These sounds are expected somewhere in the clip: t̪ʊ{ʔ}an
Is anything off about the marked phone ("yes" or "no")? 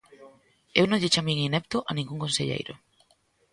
no